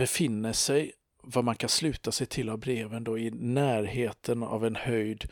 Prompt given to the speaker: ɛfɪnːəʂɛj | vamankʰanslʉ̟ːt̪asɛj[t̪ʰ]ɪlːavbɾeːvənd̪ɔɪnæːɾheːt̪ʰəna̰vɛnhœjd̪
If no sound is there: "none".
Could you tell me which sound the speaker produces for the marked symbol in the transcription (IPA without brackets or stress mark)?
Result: t̪ʰ